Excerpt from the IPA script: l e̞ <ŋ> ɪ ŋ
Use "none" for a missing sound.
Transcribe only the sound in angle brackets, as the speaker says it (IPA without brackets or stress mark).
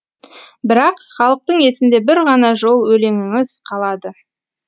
ŋ